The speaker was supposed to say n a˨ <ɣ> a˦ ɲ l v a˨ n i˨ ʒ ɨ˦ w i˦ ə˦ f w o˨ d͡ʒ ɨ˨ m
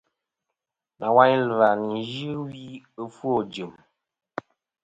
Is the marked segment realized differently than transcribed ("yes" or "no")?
yes